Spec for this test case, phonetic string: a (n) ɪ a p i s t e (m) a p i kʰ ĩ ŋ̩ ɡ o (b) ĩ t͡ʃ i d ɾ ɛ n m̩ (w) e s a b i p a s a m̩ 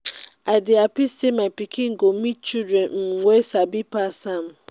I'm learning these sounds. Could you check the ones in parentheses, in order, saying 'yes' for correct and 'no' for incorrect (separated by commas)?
no, yes, no, yes